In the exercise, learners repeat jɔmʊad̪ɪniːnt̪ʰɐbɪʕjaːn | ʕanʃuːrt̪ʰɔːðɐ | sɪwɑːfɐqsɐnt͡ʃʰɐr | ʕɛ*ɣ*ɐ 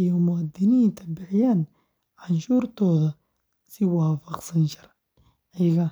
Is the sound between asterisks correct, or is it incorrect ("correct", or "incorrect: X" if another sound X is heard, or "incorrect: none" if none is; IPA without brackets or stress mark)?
correct